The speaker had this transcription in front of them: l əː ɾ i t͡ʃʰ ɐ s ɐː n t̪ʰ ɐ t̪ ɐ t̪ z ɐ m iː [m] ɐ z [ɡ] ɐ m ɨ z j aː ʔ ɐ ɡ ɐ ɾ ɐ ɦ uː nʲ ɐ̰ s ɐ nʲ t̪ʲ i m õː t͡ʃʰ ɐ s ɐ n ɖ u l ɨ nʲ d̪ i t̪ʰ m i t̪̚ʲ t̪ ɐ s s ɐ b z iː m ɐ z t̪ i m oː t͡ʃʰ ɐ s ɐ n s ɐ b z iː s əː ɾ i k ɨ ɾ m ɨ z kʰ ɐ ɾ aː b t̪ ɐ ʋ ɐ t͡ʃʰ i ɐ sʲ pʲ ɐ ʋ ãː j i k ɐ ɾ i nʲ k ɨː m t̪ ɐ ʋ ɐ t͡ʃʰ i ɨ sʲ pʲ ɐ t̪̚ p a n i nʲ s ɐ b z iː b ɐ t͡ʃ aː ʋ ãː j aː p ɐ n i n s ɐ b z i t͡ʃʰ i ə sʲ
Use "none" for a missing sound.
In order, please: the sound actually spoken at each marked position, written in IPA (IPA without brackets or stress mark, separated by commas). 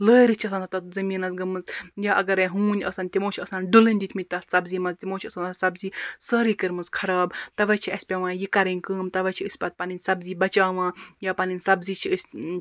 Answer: n, ɡ